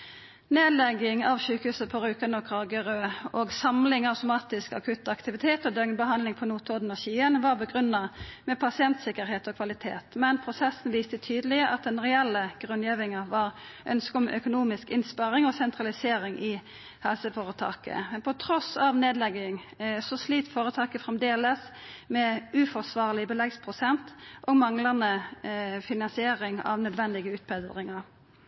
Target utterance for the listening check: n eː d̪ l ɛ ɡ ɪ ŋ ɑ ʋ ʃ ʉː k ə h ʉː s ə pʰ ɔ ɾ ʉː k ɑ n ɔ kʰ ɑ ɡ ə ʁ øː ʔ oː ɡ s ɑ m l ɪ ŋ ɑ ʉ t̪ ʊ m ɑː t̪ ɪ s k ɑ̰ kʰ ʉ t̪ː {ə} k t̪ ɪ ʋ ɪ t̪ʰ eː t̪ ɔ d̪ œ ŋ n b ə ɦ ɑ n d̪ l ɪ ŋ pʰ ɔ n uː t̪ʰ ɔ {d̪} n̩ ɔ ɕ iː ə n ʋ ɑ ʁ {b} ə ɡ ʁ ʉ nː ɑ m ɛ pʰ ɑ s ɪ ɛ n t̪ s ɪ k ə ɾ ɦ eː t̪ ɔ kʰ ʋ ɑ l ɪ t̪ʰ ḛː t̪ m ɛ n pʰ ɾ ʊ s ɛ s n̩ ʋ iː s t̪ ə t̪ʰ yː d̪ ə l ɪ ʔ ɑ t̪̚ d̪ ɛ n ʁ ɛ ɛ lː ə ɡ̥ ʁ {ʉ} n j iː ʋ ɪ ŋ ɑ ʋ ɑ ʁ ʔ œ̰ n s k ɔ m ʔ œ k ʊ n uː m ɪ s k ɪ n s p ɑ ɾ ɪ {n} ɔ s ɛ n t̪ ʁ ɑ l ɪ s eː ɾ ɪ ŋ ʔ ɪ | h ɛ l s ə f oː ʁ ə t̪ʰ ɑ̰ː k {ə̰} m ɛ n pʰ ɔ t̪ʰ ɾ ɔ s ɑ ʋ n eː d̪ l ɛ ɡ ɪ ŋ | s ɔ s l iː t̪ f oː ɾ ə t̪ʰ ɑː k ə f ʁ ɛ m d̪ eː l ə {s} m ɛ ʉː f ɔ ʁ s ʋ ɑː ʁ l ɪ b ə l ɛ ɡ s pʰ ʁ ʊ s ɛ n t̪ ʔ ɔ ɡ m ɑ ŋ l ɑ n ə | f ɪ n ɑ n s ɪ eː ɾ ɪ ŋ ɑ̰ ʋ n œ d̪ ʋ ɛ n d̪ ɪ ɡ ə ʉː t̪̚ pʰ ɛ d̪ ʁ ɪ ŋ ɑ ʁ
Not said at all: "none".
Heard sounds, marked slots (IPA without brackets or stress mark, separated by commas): ɑ, d̪, b, ʉ, ŋ, ə̰, s